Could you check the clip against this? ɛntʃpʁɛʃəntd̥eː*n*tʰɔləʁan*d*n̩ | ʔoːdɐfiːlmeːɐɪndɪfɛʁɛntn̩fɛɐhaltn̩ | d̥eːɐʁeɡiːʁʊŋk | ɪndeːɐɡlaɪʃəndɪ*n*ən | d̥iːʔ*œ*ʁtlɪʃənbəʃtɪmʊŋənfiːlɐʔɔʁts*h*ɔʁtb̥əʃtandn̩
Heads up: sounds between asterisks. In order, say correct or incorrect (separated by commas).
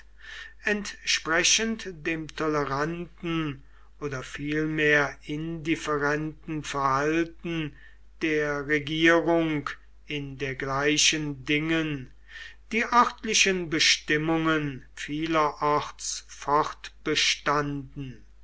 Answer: incorrect, incorrect, incorrect, correct, incorrect